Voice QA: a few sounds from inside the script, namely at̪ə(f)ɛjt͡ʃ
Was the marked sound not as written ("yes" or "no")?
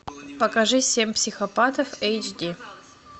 no